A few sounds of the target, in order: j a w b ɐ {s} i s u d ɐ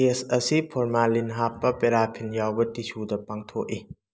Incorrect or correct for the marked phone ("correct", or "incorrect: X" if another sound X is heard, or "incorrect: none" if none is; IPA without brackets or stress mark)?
incorrect: t